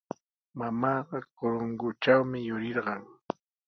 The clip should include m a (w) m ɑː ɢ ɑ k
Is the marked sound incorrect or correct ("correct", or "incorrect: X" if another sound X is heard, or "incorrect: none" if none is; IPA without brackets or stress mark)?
incorrect: none